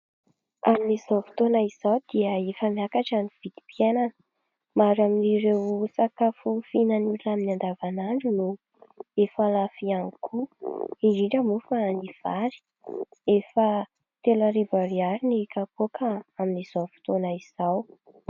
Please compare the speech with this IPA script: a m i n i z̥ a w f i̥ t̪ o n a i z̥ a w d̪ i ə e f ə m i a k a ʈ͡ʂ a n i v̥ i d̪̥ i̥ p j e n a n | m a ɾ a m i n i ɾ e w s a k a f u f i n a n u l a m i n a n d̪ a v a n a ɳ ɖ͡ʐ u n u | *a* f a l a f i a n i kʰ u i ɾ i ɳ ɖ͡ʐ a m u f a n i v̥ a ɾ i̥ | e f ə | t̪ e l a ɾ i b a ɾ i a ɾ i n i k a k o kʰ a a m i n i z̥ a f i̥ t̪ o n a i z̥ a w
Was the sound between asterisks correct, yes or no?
no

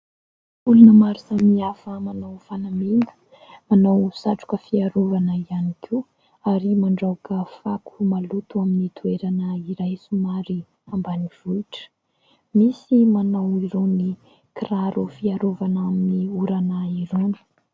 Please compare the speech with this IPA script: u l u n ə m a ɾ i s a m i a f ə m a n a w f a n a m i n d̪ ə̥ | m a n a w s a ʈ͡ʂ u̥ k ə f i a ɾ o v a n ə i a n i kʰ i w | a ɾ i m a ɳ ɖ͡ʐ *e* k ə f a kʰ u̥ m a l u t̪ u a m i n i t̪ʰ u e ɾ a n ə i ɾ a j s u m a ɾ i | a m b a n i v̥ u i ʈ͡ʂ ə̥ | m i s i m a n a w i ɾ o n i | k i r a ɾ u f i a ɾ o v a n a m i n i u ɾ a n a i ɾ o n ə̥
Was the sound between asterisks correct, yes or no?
no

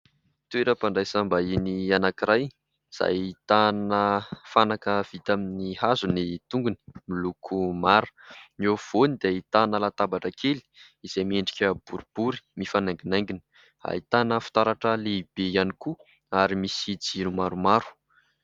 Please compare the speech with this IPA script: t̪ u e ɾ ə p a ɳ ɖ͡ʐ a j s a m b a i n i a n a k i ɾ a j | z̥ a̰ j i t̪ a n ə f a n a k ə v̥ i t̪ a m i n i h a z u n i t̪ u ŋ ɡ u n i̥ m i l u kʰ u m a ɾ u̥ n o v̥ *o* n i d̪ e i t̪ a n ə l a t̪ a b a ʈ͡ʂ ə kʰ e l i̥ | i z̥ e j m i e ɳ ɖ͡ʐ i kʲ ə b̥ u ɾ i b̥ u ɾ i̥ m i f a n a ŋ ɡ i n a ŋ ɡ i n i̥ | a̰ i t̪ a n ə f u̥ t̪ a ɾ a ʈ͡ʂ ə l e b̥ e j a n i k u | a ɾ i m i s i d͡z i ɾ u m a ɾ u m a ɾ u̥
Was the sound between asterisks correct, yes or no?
yes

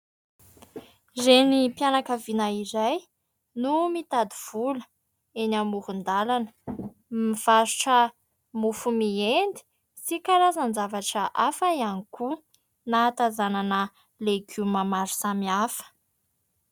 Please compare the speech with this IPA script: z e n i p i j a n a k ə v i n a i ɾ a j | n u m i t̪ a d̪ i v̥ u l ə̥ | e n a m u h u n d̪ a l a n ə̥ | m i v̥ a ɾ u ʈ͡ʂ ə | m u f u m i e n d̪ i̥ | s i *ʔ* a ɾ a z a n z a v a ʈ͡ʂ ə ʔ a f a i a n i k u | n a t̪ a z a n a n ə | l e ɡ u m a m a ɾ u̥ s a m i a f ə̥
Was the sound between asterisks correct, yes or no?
no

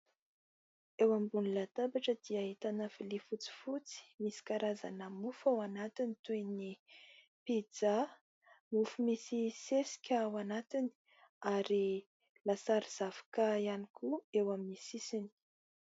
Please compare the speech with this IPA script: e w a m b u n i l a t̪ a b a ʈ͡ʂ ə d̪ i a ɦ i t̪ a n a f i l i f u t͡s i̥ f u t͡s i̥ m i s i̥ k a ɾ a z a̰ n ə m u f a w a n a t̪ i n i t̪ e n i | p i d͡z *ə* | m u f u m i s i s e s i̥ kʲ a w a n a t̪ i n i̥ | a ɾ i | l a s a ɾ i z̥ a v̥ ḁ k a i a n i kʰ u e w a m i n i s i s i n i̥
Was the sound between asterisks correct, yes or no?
no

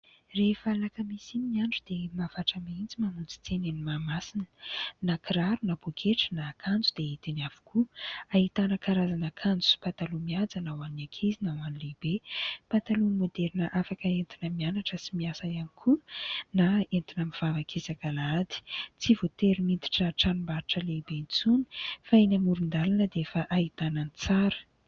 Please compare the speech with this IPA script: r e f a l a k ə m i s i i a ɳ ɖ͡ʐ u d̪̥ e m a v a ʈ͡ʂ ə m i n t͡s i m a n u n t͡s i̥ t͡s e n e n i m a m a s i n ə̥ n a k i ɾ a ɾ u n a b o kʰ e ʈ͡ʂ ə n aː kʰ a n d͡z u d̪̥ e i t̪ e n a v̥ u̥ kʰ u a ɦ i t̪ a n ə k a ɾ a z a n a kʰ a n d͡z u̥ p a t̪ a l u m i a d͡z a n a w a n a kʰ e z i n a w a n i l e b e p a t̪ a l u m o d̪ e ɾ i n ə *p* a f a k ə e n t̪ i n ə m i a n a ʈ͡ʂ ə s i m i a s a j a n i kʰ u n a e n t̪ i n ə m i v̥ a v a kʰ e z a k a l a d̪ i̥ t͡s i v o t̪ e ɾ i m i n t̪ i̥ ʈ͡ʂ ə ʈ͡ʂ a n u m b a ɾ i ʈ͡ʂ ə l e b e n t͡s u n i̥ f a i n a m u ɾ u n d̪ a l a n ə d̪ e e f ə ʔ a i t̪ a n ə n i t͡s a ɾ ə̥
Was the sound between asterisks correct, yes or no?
no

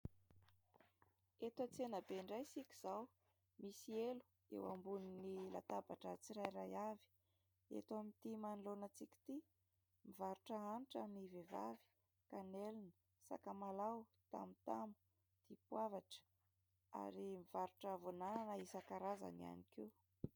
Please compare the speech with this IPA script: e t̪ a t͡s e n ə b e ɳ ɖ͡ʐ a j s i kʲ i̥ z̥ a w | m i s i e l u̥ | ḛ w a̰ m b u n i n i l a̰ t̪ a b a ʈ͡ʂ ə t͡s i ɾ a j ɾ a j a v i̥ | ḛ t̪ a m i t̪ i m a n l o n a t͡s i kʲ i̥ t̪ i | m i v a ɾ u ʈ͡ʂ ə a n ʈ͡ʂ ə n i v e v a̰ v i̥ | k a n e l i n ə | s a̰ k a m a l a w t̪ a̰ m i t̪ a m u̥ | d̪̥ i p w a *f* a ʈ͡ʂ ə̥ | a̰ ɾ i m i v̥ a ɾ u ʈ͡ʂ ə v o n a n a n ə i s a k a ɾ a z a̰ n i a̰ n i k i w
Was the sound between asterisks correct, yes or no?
no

